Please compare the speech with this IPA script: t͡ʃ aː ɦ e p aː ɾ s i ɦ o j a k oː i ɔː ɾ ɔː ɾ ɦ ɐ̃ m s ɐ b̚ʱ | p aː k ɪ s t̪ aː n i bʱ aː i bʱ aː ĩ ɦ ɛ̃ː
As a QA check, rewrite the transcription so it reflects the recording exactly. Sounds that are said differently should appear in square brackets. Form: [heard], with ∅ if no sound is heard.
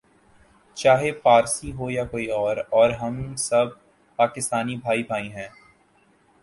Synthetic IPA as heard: t͡ʃ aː ɦ e p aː ɾ s i ɦ o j a k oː i ɔː ɾ ɔː ɾ ɦ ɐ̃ m s ɐ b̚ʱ | p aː k ɪ s t̪ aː n i bʱ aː i bʱ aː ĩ ɦ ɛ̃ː